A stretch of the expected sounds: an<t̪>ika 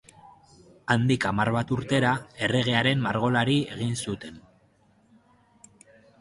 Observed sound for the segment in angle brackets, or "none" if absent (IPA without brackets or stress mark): d̪